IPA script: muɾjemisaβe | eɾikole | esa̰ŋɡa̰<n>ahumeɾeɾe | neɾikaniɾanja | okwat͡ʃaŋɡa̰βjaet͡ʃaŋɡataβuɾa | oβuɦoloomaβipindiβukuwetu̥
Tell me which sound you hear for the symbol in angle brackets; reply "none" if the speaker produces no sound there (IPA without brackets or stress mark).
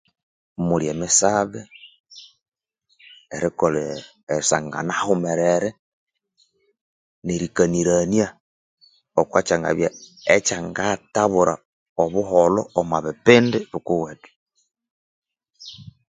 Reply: n